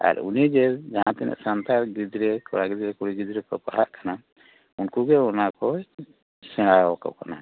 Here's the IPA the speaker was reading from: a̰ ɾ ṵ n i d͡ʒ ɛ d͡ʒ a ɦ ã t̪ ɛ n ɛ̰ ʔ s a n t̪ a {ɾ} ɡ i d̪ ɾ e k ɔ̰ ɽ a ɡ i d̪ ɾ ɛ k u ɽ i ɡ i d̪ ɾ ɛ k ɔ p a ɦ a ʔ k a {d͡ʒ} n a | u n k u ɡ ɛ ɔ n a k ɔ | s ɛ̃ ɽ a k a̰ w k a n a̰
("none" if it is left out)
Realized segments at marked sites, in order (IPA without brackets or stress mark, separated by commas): ɾ, none